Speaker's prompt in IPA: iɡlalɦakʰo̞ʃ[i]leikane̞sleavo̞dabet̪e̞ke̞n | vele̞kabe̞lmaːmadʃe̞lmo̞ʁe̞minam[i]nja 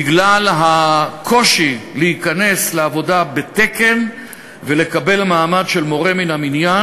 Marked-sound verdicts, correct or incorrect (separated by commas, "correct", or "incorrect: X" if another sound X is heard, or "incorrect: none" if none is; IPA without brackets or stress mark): correct, correct